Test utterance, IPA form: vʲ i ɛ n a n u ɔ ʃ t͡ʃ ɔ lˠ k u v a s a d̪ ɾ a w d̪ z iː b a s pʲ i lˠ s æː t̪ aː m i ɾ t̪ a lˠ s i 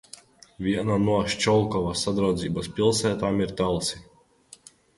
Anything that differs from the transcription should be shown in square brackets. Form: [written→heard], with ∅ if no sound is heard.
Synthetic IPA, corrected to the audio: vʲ i ɛ n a n u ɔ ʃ t͡ʃ ɔ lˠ k [u→ɔ] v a s a d̪ ɾ a w d̪ z iː b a s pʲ i lˠ s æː t̪ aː m i ɾ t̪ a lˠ s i